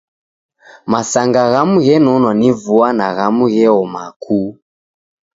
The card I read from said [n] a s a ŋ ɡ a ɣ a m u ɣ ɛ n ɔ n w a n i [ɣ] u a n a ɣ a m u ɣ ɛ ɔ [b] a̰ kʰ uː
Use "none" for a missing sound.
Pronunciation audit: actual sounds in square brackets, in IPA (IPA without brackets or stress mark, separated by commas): m, v, m